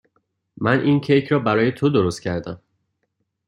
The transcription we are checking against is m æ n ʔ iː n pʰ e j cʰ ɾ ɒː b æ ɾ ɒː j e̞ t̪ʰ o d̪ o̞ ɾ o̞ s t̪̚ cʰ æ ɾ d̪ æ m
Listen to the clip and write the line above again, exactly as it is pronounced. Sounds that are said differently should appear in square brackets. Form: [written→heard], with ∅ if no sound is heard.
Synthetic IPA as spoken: m æ n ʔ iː n [pʰ→cʰ] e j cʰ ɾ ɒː b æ ɾ ɒː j e̞ t̪ʰ o d̪ o̞ ɾ o̞ s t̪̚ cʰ æ ɾ d̪ æ m